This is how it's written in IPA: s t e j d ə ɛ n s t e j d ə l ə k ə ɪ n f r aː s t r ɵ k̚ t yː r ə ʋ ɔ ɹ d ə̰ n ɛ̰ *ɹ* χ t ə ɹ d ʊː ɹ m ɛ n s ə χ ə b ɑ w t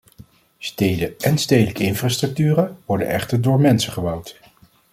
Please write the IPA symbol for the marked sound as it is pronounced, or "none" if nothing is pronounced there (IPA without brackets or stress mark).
none